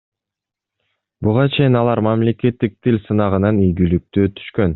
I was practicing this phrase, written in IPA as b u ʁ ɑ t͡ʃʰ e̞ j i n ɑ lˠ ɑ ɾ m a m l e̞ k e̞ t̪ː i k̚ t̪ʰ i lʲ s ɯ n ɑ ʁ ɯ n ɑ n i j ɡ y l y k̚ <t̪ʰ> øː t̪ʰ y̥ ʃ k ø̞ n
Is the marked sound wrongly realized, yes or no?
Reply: yes